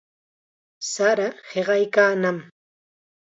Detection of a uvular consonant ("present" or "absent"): present